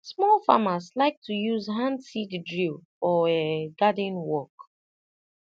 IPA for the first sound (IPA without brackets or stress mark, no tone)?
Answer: s